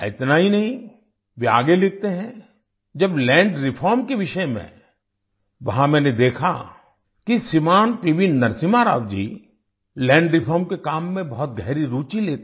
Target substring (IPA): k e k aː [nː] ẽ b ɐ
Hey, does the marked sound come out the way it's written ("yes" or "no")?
no